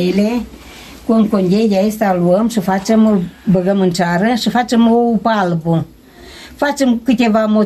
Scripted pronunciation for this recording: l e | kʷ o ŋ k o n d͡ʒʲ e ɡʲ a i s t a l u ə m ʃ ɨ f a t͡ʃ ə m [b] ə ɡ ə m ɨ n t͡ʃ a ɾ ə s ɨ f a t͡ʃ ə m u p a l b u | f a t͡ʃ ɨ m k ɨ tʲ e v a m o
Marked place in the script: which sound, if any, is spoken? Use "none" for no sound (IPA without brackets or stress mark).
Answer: b